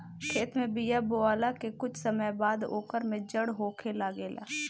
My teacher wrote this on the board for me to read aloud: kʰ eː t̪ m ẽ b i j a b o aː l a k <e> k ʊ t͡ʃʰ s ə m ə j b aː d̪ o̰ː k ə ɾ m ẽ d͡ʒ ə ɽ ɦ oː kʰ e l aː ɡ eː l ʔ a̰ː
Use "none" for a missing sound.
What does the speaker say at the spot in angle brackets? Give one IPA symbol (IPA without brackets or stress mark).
e